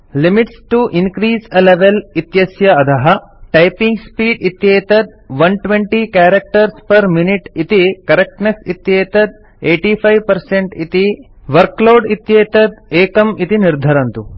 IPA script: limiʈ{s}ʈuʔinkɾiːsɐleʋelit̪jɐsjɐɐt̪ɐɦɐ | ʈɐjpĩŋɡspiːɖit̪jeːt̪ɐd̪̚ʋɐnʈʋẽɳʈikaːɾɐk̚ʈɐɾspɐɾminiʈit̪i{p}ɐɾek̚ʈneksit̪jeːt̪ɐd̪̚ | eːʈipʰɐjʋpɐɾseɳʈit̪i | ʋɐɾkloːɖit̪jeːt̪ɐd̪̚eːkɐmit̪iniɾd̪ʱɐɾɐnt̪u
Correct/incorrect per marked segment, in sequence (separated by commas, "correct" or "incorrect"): correct, incorrect